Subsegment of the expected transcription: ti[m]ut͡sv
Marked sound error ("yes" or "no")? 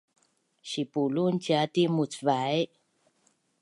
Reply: no